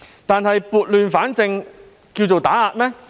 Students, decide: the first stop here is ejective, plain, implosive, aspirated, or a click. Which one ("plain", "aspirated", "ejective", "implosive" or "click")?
plain